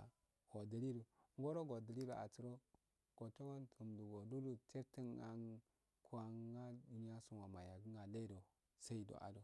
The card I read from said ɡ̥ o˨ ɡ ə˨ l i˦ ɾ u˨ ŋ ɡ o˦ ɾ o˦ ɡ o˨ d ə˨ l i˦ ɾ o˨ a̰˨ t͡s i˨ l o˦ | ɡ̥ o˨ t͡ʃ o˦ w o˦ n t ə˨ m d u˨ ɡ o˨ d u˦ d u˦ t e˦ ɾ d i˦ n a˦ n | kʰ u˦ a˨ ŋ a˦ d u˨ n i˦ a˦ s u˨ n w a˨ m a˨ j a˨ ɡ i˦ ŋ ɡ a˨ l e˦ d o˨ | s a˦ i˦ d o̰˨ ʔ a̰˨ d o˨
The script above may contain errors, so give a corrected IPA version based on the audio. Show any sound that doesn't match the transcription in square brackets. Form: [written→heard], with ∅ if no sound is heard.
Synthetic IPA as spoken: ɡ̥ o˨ [ɡ→d] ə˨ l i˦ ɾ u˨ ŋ ɡ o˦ ɾ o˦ ɡ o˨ d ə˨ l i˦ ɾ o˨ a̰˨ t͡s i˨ [l→ɾ] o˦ | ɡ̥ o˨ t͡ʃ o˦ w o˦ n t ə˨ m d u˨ ɡ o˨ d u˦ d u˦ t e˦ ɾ [d→t] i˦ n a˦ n | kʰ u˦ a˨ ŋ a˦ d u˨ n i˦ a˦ s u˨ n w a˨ m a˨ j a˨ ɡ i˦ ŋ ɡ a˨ l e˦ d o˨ | s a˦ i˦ d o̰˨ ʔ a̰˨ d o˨